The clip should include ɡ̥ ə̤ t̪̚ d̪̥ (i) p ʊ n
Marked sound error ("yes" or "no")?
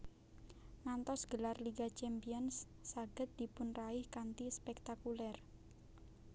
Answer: no